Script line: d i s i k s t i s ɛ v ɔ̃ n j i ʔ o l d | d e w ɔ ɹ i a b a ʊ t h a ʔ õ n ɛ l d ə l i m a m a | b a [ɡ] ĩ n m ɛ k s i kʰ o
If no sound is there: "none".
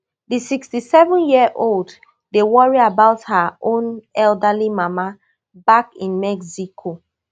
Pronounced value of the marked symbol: k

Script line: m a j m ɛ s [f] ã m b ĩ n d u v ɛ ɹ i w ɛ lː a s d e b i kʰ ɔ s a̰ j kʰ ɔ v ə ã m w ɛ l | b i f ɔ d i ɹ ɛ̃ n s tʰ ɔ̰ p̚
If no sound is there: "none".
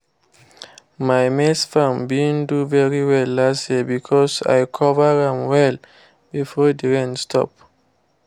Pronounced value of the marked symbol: f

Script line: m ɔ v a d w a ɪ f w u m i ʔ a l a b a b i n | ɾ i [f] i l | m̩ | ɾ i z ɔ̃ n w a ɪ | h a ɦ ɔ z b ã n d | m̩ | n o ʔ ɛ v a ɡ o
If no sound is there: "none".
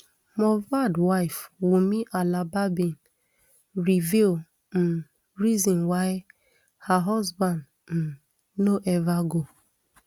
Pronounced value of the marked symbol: v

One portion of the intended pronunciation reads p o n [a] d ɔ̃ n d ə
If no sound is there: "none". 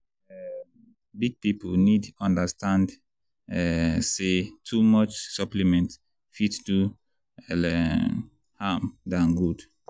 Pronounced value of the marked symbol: i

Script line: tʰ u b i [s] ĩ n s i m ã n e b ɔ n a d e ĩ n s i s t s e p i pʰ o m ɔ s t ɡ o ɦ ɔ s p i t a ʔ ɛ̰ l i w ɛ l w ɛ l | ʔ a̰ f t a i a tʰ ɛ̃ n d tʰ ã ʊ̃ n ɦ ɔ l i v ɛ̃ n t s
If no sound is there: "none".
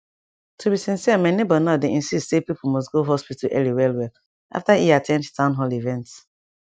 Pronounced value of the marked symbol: s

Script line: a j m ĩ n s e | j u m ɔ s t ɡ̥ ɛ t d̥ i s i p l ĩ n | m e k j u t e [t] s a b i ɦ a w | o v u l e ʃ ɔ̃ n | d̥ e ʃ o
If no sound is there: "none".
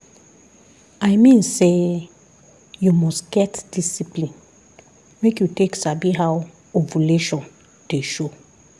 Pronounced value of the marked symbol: k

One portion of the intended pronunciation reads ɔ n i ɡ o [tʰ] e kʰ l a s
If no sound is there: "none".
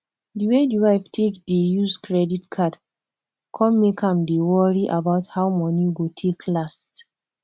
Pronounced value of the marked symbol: tʰ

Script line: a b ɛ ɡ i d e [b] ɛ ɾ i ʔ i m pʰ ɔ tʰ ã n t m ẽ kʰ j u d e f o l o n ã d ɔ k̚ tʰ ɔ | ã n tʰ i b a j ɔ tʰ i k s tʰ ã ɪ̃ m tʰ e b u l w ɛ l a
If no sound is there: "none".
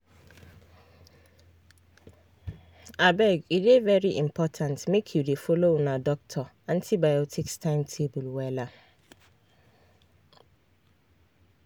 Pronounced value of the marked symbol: v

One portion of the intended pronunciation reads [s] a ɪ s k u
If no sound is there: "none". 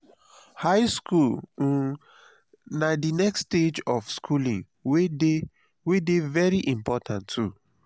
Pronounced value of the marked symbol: h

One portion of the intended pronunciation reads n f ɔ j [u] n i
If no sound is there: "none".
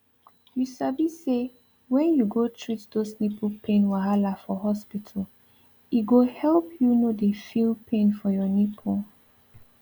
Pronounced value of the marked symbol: ɔ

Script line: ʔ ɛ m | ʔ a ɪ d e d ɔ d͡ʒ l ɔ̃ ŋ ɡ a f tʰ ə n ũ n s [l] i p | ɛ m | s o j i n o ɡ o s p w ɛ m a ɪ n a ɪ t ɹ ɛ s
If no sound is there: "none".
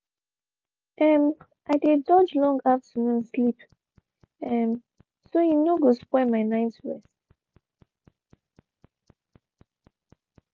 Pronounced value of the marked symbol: l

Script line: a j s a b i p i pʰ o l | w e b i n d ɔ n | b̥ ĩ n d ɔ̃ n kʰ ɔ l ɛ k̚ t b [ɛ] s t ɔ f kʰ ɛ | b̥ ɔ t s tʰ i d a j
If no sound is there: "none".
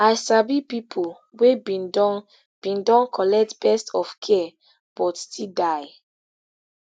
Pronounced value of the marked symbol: ɛ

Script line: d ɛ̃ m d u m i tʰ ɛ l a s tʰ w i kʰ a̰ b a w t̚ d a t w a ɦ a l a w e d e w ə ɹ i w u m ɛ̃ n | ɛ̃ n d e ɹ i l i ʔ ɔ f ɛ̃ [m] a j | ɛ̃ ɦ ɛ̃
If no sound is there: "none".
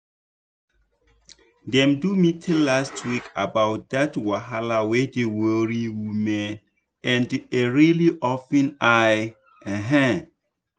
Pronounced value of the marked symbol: n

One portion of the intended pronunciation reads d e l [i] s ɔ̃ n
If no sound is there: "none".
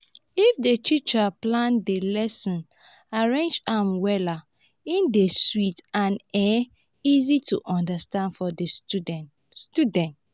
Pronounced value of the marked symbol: ɛ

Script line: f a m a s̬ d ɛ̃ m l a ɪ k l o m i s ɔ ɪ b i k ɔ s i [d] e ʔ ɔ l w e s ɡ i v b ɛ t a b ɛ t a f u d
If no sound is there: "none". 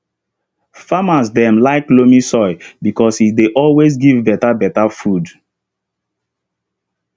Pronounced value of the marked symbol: d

